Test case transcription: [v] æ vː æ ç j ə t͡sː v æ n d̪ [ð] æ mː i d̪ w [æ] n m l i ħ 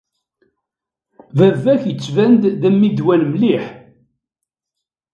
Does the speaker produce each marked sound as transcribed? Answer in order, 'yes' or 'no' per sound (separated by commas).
yes, yes, yes